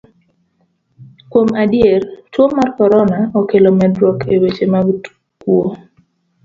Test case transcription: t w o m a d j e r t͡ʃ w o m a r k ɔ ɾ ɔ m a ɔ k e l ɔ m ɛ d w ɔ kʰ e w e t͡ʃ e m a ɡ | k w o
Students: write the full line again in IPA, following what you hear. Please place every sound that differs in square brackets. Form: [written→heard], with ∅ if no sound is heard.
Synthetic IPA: [t→k] w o m a d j e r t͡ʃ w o m a r k ɔ ɾ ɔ [m→n] a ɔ k e l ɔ m ɛ d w ɔ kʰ e w e t͡ʃ e m a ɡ | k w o